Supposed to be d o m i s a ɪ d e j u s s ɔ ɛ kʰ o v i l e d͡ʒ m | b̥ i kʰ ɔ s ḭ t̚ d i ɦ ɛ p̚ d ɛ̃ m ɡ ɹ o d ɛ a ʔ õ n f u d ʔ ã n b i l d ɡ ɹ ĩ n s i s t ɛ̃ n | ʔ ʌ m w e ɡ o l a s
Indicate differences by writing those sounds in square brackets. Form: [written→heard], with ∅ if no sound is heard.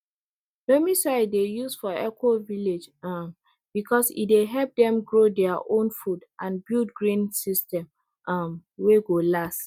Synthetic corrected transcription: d o m i s a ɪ d e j u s [s→f] ɔ ɛ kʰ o v i l e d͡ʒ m | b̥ i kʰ ɔ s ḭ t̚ d [i→e] ɦ ɛ p̚ d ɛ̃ m ɡ ɹ o d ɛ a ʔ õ n f u d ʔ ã n b i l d ɡ ɹ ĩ n s i s t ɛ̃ [n→m] | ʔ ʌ m w e ɡ o l a s